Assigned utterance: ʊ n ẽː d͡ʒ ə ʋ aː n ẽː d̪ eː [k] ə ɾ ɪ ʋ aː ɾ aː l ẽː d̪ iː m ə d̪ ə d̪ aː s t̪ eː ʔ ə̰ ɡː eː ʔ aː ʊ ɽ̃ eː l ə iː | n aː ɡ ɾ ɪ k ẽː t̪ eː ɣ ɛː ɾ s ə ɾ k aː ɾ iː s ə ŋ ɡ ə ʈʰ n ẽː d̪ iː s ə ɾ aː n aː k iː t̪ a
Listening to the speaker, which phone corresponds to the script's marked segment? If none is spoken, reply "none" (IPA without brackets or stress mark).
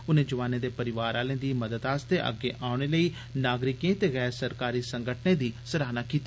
p